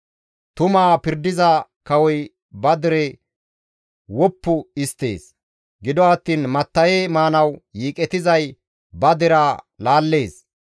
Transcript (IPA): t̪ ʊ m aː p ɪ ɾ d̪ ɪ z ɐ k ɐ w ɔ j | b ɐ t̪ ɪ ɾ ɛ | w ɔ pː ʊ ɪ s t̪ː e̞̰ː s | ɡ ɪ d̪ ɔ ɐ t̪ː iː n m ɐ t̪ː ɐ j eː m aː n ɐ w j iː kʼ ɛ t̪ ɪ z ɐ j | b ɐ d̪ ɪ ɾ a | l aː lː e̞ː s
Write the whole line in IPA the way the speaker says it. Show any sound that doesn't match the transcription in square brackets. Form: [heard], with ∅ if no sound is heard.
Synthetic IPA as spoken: t̪ ʊ m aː p ɪ ɾ d̪ ɪ z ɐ k ɐ w ɔ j | b ɐ [d̪] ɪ ɾ ɛ | w ɔ pː ʊ ɪ s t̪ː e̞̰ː s | ɡ ɪ d̪ ɔ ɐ t̪ː iː n m ɐ t̪ː ɐ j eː m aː n ɐ w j iː kʼ ɛ t̪ ɪ z ɐ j | b ɐ d̪ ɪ ɾ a | l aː lː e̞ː s